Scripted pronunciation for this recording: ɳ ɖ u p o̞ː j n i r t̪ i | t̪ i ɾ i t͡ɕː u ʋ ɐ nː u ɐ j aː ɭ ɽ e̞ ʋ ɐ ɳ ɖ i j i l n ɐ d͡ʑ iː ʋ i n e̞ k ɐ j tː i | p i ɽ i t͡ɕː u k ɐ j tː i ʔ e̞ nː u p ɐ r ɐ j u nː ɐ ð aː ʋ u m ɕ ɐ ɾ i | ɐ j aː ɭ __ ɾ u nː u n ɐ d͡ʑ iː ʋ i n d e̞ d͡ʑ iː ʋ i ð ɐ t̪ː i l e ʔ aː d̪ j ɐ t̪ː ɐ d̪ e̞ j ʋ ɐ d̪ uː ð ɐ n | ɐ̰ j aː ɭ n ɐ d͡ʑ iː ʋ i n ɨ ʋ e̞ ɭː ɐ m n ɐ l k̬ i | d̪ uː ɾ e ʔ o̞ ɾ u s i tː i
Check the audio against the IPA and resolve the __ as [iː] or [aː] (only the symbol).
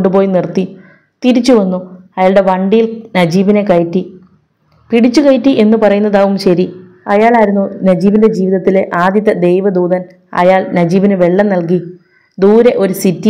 aː